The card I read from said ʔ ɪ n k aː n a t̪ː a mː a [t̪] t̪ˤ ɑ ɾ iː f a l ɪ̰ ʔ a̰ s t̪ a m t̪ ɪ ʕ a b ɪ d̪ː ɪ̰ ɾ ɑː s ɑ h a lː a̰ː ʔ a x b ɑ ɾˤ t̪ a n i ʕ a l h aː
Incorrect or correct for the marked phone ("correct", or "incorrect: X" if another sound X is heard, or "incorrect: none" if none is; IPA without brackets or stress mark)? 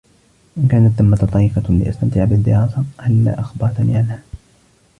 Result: correct